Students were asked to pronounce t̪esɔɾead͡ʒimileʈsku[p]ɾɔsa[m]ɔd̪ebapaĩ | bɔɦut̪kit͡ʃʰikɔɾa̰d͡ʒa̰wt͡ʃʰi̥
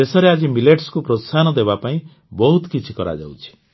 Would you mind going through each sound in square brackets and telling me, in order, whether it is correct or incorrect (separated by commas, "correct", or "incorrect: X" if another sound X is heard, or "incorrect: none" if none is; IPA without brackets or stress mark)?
correct, incorrect: n